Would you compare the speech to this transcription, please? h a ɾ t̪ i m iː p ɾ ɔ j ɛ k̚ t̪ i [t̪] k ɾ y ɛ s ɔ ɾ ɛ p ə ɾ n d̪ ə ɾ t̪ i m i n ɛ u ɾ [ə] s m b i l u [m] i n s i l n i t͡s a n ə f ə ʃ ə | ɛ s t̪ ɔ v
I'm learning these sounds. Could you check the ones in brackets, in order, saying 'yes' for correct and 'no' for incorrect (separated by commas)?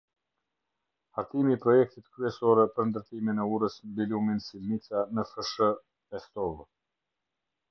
yes, yes, yes